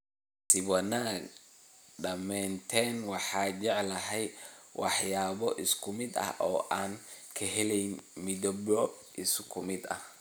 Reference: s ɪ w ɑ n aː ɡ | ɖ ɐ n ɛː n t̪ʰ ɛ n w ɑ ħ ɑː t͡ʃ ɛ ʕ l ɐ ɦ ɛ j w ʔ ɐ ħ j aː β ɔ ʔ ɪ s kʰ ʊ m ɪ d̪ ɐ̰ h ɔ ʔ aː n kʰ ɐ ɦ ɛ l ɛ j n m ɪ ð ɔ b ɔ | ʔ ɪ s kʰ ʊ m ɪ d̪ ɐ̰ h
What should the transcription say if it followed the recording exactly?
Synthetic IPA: s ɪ w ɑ n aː ɡ | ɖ ɐ m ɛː n t̪ʰ ɛ n w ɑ ħ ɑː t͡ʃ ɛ ʕ l ɐ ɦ ɛ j w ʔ ɑ ħ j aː β ɔ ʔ ɪ s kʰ ʊ m ɪ d̪ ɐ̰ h ɔː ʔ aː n kʰ ɐ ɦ ɛ l ɛ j n m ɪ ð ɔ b ɔ | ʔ ɪ s kʰ ʊ m ɪ d̪ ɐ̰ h